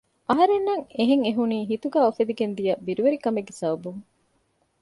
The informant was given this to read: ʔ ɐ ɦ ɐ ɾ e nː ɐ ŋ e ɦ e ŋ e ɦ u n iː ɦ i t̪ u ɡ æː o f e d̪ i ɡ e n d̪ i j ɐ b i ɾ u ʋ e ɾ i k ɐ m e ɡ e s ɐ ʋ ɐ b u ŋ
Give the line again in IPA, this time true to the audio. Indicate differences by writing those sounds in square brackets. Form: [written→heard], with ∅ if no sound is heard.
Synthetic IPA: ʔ ɐ ɦ ɐ ɾ e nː ɐ ŋ e ɦ e ŋ e ɦ u n iː ɦ i t̪ u ɡ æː o f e d̪ i ɡ e n d̪ i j ɐ b i ɾ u ʋ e ɾ i k ɐ m e [ɡ→ɡː] e s ɐ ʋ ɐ b u ŋ